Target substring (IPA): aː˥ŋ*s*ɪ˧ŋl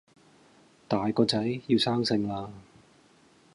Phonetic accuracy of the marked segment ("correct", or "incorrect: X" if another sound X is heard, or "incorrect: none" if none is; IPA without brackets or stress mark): correct